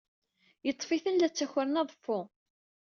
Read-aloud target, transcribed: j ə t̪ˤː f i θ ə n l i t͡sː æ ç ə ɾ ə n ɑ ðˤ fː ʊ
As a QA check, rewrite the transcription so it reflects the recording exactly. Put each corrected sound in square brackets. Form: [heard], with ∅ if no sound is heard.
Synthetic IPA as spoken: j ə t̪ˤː f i θ ə n l [æ] t͡sː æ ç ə ɾ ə n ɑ ðˤ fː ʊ